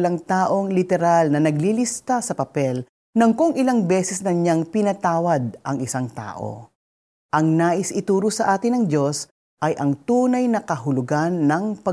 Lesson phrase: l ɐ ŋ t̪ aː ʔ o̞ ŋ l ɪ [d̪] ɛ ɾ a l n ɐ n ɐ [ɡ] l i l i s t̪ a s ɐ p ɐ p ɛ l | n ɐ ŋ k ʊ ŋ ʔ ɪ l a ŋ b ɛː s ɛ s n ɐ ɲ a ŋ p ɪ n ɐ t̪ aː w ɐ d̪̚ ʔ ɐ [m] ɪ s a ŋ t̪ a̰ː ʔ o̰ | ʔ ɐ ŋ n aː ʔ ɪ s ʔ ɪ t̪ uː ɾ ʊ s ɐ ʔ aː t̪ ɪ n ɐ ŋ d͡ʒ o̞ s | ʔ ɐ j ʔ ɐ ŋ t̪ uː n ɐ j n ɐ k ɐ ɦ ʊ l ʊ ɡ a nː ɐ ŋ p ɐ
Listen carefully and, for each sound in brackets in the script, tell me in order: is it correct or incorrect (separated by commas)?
incorrect, correct, incorrect